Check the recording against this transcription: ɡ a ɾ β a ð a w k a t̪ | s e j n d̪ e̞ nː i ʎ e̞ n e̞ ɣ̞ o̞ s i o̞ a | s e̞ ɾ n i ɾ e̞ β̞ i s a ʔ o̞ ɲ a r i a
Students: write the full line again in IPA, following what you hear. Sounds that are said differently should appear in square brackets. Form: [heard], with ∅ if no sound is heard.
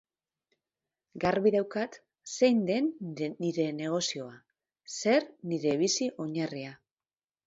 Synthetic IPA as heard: ɡ a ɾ β [i] ð a w k a t̪ | s e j n d̪ e̞ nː i [ɾ] e̞ n e̞ ɣ̞ o̞ s i o̞ a | s e̞ ɾ n i ɾ e̞ β̞ i s [i] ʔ o̞ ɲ a r i a